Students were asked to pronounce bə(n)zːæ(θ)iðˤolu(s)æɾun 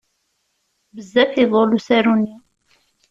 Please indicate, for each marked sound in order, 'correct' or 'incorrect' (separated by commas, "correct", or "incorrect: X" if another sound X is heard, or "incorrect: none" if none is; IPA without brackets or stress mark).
incorrect: none, incorrect: f, correct